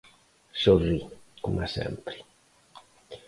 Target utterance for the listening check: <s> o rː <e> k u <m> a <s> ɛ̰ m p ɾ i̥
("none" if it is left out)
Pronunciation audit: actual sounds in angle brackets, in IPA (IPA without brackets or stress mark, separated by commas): s, i, m, s